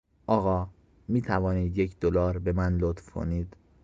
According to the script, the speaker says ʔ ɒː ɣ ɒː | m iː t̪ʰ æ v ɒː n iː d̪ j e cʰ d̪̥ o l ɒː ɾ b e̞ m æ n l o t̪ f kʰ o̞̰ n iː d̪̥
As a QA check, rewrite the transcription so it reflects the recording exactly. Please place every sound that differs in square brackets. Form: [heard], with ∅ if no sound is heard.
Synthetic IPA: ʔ ɒː ɣ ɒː | m iː t̪ʰ æ v ɒː n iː d̪ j e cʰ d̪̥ o l ɒː ɾ b e̞ m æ n l o t̪ f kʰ o̞̰ n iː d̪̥